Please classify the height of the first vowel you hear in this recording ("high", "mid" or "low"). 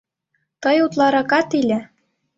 mid